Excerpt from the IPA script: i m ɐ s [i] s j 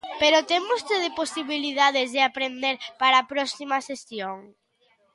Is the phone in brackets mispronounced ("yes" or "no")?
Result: yes